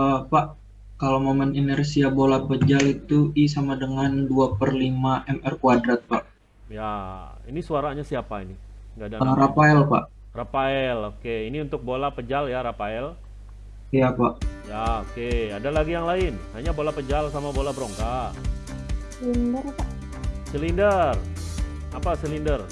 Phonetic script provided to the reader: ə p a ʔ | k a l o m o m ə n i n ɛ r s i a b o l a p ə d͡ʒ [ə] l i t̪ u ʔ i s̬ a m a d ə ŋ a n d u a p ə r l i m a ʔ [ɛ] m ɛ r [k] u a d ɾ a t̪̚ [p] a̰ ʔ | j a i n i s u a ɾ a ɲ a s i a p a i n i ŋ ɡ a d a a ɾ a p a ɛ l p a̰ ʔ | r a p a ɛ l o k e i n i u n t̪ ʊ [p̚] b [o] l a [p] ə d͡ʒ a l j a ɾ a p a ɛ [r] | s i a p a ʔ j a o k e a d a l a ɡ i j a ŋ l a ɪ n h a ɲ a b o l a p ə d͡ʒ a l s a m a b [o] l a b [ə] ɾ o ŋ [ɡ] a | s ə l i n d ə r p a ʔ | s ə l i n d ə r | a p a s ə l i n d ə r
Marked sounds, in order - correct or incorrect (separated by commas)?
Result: incorrect, correct, correct, correct, incorrect, correct, correct, incorrect, correct, correct, incorrect